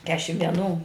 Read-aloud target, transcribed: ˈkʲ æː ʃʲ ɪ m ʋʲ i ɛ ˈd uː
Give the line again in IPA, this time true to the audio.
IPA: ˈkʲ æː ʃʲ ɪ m ʋʲ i ɛ ˈn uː